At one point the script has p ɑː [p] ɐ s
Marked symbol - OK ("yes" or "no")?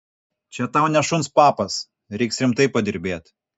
yes